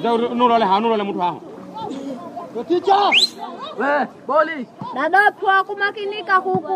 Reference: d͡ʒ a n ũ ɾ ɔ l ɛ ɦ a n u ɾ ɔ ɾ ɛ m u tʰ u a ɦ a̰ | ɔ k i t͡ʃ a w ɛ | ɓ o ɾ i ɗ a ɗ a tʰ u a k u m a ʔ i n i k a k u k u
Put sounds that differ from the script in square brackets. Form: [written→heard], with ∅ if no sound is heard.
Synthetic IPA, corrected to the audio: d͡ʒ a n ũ ɾ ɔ l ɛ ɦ a n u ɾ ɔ [ɾ→l] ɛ m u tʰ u a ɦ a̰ | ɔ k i t͡ʃ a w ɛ | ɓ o [ɾ→l] i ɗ a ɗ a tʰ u a k u m a [ʔ→k] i n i k a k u k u